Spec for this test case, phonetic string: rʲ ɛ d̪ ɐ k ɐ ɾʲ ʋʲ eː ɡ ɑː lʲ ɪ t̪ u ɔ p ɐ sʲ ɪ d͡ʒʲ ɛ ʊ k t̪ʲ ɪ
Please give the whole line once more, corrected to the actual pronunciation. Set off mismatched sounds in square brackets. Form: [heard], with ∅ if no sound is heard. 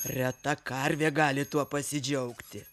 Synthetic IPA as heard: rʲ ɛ [t̪] ɐ k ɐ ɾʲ ʋʲ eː ɡ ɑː lʲ ɪ t̪ u ɔ p ɐ sʲ ɪ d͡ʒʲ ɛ ʊ k t̪ʲ ɪ